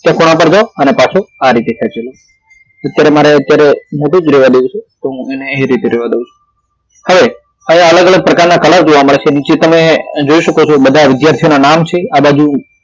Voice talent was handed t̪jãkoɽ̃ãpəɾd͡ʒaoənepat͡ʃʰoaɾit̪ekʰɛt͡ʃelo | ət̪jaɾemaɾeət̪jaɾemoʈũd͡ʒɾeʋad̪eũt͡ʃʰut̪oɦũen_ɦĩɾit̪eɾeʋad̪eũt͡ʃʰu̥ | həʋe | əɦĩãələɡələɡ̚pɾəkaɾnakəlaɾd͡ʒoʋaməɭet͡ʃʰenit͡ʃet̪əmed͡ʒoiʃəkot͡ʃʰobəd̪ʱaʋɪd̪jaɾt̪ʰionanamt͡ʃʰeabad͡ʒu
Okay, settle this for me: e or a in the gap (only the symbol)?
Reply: e